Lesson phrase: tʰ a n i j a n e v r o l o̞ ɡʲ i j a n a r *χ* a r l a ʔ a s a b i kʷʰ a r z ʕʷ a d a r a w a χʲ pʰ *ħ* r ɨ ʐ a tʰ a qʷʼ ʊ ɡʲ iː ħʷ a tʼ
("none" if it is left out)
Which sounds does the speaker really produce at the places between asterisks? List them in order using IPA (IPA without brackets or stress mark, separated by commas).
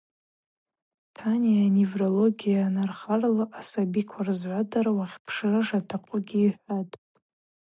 χ, ʂ